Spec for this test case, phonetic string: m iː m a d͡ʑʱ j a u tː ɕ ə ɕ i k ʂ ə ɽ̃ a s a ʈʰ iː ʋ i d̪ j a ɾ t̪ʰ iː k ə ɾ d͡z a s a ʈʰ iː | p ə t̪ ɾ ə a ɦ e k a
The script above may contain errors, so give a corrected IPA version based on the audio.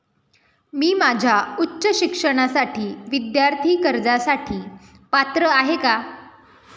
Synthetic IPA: m iː m a d͡ʑʱ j a u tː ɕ ə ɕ i k ʂ ə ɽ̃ a s a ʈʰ iː ʋ i d̪ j a ɾ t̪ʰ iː k ə ɾ d͡z a s a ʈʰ iː | p a t̪ ɾ ə a ɦ e k a